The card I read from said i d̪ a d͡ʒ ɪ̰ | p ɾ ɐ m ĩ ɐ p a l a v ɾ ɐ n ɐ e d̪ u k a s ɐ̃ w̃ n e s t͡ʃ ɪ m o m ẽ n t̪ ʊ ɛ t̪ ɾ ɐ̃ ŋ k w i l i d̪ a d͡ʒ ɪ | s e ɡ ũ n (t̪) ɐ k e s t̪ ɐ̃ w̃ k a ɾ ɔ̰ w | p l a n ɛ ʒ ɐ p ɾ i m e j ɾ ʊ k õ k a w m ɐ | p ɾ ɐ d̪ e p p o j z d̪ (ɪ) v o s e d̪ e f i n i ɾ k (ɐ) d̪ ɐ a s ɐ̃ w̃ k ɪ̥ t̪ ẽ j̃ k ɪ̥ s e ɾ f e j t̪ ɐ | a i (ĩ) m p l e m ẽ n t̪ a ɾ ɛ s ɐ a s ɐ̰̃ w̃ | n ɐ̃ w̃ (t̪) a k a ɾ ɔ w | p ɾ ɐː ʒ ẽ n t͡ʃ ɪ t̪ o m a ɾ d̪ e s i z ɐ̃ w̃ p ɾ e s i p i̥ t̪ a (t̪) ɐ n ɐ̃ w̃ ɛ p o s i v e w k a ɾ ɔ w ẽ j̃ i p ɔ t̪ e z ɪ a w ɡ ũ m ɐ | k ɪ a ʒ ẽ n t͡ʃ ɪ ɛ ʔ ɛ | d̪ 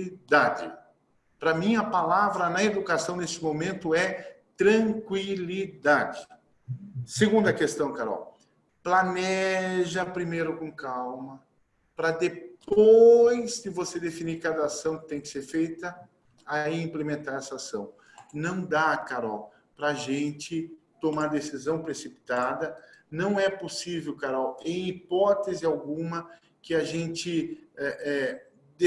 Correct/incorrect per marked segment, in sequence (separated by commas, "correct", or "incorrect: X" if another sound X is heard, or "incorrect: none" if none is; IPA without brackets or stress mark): incorrect: d̪, correct, incorrect: a, correct, incorrect: d̪, incorrect: d̪